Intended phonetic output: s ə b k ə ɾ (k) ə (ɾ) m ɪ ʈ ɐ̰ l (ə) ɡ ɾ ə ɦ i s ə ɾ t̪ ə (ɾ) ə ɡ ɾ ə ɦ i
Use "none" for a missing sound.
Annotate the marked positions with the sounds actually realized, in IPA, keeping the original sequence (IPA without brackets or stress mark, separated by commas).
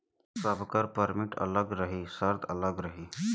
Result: p, ɾ, ə, l